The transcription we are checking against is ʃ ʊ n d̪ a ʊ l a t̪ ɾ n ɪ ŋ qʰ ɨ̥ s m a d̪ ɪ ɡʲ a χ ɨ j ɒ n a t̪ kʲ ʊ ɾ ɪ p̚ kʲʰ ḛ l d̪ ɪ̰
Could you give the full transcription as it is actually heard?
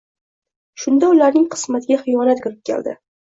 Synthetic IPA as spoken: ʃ ʊ n d̪ a ʊ l a ɾ n ɪ ŋ qʰ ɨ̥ s m a t̪ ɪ ɡʲ a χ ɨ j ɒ n a t̪ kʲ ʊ ɾ ɪ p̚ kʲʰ ḛ l d̪ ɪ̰